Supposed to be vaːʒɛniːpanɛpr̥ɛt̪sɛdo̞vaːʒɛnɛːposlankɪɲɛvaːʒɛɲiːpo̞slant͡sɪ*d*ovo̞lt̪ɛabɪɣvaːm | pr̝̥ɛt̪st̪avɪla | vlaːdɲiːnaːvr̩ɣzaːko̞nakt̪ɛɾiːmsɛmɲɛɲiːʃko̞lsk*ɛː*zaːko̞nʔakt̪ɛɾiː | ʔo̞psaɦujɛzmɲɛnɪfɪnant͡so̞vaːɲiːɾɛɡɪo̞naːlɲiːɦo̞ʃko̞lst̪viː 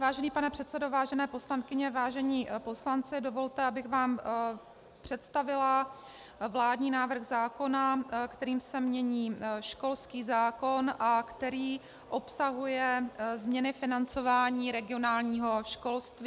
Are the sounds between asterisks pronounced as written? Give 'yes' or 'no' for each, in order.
yes, no

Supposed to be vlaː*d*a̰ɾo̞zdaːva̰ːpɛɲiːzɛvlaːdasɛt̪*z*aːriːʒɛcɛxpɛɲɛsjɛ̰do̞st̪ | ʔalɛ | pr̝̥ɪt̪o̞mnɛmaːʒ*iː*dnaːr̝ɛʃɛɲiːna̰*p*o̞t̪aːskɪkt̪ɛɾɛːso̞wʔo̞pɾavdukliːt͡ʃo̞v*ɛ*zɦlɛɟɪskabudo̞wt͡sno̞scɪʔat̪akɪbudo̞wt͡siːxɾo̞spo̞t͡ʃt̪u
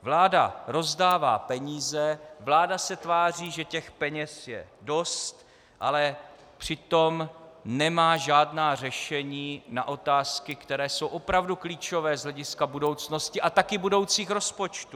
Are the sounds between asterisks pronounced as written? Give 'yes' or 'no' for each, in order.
yes, no, no, no, no

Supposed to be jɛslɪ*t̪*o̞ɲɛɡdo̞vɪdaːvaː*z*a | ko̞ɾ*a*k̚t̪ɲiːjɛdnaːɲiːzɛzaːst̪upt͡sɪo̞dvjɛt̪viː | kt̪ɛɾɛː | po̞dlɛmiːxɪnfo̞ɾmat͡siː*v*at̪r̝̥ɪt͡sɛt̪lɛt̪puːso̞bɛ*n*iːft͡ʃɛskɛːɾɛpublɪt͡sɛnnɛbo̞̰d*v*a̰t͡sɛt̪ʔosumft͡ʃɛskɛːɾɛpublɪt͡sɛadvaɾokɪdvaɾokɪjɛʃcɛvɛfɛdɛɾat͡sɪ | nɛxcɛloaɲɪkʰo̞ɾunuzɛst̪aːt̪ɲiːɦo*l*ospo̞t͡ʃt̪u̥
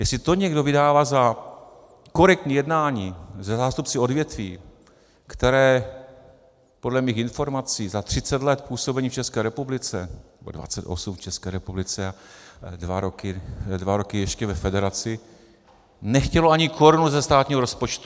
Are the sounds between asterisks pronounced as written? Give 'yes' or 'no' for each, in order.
yes, yes, no, no, no, yes, no

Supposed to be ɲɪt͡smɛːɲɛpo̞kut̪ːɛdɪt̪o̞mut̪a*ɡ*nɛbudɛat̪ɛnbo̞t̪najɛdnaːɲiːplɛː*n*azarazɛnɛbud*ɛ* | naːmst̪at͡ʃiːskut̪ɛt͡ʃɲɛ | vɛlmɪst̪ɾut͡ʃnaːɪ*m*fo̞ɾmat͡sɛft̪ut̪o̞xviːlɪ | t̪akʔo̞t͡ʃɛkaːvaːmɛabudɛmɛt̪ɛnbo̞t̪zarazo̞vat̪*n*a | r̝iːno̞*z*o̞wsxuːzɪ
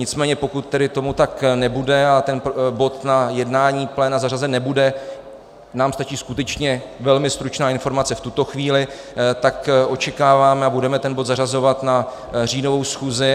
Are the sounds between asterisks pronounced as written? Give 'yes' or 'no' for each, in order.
no, yes, yes, no, yes, no

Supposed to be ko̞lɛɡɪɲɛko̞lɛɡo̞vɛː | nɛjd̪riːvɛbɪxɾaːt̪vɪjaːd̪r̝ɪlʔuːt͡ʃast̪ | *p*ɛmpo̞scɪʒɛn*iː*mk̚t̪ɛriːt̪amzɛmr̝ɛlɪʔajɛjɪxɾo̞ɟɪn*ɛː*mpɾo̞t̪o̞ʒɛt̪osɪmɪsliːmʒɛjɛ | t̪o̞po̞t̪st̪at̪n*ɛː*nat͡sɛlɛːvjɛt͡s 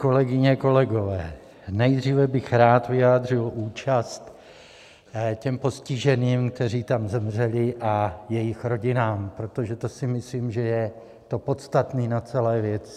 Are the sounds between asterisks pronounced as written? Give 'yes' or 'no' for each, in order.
no, yes, no, no

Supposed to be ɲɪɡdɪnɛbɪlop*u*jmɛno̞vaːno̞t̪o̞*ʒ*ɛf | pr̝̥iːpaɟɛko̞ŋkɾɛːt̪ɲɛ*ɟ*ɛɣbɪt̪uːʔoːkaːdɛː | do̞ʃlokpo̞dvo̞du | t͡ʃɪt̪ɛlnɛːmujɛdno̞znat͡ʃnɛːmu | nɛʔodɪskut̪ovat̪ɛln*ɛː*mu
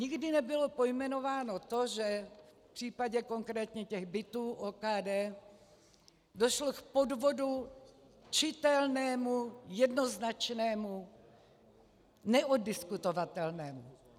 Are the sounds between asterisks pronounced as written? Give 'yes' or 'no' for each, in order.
no, yes, no, yes

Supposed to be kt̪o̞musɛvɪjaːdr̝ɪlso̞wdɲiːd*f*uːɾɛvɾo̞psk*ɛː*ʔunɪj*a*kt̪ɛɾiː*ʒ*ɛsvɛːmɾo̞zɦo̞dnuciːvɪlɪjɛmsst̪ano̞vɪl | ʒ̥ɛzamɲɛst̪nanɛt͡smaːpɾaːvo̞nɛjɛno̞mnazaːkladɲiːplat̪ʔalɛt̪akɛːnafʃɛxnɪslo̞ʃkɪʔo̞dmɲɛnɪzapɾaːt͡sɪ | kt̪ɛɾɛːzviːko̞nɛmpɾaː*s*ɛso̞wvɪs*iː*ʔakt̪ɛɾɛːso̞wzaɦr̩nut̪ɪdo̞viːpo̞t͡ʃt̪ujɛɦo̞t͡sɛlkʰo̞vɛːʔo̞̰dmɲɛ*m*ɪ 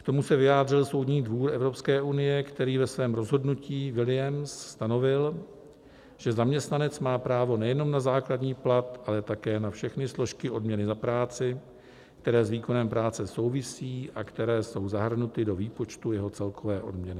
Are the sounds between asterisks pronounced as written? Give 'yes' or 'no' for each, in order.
no, yes, no, no, no, yes, no

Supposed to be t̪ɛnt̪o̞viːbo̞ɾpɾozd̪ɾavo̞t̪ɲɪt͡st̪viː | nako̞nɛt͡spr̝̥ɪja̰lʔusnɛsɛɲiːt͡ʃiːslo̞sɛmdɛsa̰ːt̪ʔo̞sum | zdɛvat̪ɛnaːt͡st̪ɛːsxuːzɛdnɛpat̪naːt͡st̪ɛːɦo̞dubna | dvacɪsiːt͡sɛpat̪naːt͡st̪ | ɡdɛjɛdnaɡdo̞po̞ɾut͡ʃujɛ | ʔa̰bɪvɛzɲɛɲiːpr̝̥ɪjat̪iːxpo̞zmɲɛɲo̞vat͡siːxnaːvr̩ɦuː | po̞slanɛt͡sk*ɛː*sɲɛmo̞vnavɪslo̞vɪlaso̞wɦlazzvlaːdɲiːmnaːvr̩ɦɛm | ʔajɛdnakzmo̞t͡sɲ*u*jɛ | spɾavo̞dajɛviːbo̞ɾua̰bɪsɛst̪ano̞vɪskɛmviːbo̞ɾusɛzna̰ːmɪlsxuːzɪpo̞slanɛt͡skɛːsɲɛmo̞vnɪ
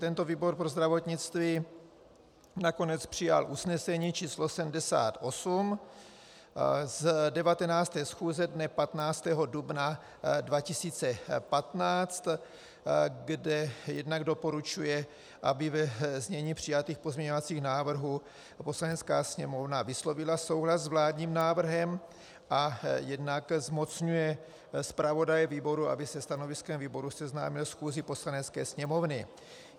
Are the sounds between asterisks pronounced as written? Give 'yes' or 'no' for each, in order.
no, yes

